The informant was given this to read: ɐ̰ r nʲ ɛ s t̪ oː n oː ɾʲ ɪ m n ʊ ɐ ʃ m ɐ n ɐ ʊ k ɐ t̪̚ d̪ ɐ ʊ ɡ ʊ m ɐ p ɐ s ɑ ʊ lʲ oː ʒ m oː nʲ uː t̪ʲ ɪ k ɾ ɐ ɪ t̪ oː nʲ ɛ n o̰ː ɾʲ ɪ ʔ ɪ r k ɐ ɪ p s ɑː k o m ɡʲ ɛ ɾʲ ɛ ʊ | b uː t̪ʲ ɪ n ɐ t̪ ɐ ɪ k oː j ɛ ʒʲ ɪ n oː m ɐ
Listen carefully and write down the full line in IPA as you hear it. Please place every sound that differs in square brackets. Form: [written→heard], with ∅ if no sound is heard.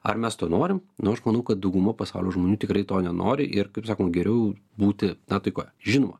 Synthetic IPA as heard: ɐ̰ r [nʲ→mʲ] ɛ s t̪ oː n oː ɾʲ ɪ m n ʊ ɐ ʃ m ɐ n ɐ ʊ k ɐ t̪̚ d̪ ɐ ʊ ɡ ʊ m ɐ p ɐ s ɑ ʊ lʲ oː ʒ m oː nʲ uː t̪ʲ ɪ k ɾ ɐ ɪ t̪ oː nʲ ɛ n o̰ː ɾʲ ɪ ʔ ɪ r k ɐ ɪ p s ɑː k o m ɡʲ ɛ ɾʲ ɛ ʊ | b uː t̪ʲ ɪ n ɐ t̪ ɐ ɪ k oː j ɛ ʒʲ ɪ n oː m ɐ

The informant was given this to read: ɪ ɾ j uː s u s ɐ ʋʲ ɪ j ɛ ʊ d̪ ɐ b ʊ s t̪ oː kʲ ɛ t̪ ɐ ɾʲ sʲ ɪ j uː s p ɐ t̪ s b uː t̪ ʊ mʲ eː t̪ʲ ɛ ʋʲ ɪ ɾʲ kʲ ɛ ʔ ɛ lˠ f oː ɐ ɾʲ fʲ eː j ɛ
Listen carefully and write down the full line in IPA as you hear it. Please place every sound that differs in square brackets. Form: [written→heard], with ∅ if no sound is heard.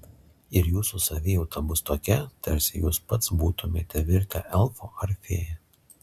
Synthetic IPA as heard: ɪ ɾ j uː s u s ɐ ʋʲ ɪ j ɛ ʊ [d̪→t̪] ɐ b ʊ s t̪ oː kʲ ɛ t̪ ɐ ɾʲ sʲ ɪ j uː s p ɐ t̪ s b uː t̪ ʊ mʲ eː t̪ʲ ɛ ʋʲ ɪ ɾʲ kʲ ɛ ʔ ɛ lˠ f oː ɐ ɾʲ fʲ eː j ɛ

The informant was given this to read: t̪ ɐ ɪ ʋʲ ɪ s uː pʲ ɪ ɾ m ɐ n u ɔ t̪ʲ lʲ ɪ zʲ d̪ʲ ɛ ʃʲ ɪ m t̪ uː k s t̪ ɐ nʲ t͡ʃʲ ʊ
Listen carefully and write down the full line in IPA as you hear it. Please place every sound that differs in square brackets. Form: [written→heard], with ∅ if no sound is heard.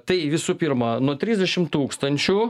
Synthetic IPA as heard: t̪ ɐ ɪ ʋʲ ɪ s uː pʲ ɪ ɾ m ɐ n u ɔ t̪ʲ [lʲ→ɾʲ] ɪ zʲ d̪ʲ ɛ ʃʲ ɪ m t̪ uː k s t̪ ɐ nʲ t͡ʃʲ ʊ

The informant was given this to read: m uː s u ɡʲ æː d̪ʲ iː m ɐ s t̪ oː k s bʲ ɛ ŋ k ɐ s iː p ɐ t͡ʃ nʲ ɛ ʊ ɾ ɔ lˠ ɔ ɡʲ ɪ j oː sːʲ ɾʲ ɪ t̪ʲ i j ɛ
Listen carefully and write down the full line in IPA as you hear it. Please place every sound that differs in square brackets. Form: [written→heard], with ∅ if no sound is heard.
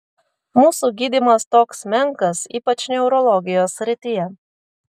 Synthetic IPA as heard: m uː s u ɡʲ [æː→iː] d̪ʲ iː m ɐ s t̪ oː k s [bʲ→mʲ] ɛ ŋ k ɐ s iː p ɐ t͡ʃ nʲ ɛ ʊ ɾ ɔ lˠ ɔ ɡʲ ɪ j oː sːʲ ɾʲ ɪ t̪ʲ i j ɛ

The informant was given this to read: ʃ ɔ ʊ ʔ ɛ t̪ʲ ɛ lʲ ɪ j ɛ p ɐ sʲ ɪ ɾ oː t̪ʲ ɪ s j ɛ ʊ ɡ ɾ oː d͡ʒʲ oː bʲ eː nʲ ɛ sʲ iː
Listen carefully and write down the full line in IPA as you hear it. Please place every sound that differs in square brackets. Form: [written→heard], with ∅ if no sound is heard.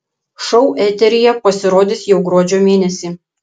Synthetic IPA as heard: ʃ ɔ ʊ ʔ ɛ t̪ʲ ɛ [lʲ→ɾʲ] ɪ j ɛ p ɐ sʲ ɪ ɾ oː [t̪ʲ→d̪ʲ] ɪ s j ɛ ʊ ɡ ɾ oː d͡ʒʲ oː [bʲ→mʲ] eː nʲ ɛ sʲ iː

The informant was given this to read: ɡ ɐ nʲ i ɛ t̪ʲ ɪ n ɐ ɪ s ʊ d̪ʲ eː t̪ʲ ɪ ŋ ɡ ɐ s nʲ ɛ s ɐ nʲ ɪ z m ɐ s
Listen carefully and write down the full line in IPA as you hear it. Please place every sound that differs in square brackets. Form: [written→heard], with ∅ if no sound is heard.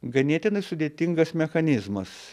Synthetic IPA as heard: ɡ ɐ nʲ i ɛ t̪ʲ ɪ n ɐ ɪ s ʊ d̪ʲ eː t̪ʲ ɪ ŋ ɡ ɐ s [nʲ→mʲ] ɛ [s→x] ɐ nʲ ɪ z m ɐ s

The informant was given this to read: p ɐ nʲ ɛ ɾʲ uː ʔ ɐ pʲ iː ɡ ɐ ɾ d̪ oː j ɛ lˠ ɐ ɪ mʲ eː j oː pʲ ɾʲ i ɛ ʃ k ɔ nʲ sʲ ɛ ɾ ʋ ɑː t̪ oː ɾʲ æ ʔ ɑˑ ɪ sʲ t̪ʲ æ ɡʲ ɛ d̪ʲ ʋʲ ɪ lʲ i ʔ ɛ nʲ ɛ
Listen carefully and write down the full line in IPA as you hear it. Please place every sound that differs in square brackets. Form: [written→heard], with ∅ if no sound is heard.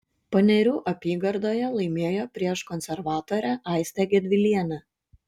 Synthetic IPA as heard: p ɐ nʲ ɛ ɾʲ uː ʔ ɐ pʲ iː ɡ ɐ ɾ d̪ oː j ɛ lˠ ɐ ɪ mʲ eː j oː pʲ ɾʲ i ɛ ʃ k ɔ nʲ sʲ ɛ ɾ ʋ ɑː t̪ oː ɾʲ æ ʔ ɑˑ ɪ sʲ t̪ʲ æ ɡʲ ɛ d̪ʲ ʋʲ ɪ lʲ i [ʔ→∅] ɛ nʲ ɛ

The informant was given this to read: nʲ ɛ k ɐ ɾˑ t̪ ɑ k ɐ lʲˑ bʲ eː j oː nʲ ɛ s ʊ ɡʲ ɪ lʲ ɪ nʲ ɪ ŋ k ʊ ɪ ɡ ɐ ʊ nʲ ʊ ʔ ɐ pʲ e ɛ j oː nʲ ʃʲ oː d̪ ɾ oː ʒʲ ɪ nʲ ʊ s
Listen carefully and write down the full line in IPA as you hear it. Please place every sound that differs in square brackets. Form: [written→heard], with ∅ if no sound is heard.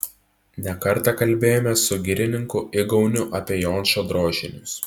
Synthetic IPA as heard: nʲ ɛ k ɐ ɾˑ t̪ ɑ k ɐ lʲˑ bʲ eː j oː [nʲ→mʲ] ɛ s ʊ ɡʲ ɪ [lʲ→ɾʲ] ɪ nʲ ɪ ŋ k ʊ ɪ ɡ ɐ ʊ nʲ ʊ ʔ ɐ pʲ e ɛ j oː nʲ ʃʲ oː d̪ ɾ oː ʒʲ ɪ nʲ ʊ s

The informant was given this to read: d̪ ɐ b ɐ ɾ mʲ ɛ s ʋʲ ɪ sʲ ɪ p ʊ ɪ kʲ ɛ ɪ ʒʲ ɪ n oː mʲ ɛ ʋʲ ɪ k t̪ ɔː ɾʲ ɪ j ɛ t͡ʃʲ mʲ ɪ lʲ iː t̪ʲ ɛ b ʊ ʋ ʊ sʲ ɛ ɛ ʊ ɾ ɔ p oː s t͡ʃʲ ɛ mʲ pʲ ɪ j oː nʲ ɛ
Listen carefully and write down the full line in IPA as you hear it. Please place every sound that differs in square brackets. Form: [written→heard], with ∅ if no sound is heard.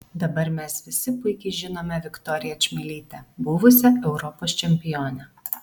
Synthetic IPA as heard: d̪ ɐ b ɐ ɾ mʲ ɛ s ʋʲ ɪ sʲ ɪ p ʊ ɪ kʲ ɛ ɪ ʒʲ ɪ n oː mʲ ɛ ʋʲ ɪ k t̪ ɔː ɾʲ ɪ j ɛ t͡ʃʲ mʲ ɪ lʲ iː t̪ʲ ɛ b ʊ ʋ ʊ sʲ ɛ ɛ ʊ ɾ ɔ p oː s t͡ʃʲ ɛ mʲ pʲ ɪ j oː nʲ ɛ

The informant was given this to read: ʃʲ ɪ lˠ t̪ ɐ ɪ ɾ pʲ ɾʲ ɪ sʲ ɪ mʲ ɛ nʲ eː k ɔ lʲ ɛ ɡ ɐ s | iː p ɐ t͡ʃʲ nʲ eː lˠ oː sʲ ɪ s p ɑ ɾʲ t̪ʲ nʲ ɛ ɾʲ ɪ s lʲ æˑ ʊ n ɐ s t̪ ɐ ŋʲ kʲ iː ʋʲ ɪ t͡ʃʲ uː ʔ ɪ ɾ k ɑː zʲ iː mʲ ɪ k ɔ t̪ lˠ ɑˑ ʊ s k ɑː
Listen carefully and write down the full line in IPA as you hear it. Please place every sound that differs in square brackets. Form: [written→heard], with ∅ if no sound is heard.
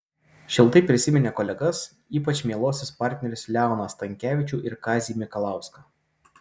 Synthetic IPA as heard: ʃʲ ɪ lˠ t̪ ɐ ɪ [ɾ→∅] pʲ ɾʲ ɪ sʲ ɪ mʲ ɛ nʲ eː k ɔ lʲ ɛ ɡ ɐ s | iː p ɐ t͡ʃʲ [nʲ→mʲ] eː lˠ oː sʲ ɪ s p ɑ ɾʲ t̪ʲ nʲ ɛ ɾʲ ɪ s lʲ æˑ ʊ n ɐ s t̪ ɐ ŋʲ kʲ [iː→æː] ʋʲ ɪ t͡ʃʲ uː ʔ ɪ ɾ k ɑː zʲ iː mʲ ɪ k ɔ [t̪→∅] lˠ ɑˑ ʊ s k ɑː

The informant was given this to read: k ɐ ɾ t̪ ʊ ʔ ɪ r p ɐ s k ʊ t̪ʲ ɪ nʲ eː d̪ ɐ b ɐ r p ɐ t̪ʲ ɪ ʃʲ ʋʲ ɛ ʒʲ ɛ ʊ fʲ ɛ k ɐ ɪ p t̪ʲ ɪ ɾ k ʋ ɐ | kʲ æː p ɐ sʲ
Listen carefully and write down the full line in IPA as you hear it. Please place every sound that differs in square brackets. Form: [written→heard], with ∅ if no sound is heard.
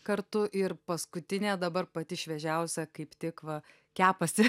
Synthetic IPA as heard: k ɐ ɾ t̪ ʊ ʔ ɪ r p ɐ s k ʊ t̪ʲ ɪ nʲ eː d̪ ɐ b ɐ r p ɐ t̪ʲ ɪ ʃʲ ʋʲ ɛ ʒʲ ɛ ʊ [fʲ→sʲ] ɛ k ɐ ɪ p t̪ʲ ɪ [ɾ→∅] k ʋ ɐ | kʲ æː p ɐ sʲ

